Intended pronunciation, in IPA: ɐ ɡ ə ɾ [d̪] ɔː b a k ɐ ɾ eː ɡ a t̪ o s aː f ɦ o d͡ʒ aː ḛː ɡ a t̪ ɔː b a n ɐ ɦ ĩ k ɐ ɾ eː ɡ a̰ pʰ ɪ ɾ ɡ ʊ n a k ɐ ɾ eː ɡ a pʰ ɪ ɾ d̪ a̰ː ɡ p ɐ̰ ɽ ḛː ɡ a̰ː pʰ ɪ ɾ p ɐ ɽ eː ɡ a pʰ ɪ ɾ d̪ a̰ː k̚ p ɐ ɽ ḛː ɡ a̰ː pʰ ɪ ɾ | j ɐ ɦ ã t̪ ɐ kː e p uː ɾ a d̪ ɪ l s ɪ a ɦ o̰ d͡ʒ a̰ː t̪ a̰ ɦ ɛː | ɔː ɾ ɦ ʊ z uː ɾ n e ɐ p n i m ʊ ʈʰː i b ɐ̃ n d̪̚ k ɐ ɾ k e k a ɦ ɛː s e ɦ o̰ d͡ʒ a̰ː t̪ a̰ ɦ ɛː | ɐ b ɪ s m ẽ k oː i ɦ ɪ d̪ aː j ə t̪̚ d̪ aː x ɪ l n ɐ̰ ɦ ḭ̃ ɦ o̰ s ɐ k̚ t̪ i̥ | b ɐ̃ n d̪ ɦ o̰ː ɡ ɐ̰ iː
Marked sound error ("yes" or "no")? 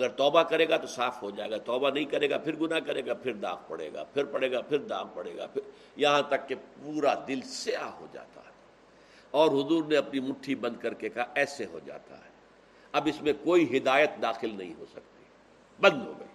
yes